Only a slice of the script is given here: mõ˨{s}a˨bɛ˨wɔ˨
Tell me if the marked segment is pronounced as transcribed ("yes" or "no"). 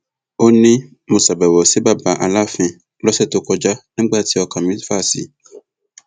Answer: yes